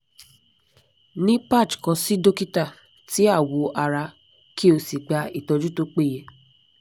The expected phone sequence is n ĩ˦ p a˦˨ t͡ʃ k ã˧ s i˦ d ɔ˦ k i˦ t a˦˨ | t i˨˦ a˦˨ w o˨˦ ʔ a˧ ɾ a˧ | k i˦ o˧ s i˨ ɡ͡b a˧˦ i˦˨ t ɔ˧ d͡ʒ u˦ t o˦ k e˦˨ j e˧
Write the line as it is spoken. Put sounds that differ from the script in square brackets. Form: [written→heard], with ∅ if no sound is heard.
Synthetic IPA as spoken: n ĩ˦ p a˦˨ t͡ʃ k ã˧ s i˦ d [ɔ˦→o˦] k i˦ t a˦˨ | t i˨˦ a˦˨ w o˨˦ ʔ a˧ ɾ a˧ | k i˦ o˧ s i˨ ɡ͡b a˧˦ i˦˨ t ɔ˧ d͡ʒ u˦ t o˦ [k→k͡p] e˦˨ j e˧